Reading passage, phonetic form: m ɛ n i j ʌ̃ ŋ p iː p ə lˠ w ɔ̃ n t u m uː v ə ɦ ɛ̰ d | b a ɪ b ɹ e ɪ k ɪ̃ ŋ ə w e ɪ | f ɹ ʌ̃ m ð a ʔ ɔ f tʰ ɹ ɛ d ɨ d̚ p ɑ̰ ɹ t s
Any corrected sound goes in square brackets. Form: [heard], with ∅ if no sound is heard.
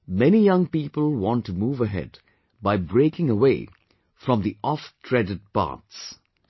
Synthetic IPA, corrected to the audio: m ɛ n i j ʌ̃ ŋ p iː p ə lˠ w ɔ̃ n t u m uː v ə ɦ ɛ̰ d | b a ɪ b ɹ e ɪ k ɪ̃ ŋ ə w e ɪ | f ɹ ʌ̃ m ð [i] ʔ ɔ f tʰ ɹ ɛ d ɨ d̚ p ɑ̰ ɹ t s